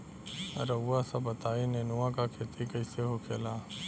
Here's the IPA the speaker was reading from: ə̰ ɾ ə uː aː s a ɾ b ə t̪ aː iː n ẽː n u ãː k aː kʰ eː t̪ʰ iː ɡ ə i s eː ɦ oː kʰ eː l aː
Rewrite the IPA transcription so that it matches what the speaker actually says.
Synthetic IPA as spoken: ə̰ ɾ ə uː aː s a b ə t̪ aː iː n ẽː n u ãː k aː kʰ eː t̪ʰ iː k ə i s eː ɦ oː kʰ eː l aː